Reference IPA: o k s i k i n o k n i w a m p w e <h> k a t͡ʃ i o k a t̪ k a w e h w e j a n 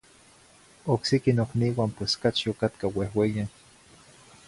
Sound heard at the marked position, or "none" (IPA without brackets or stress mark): s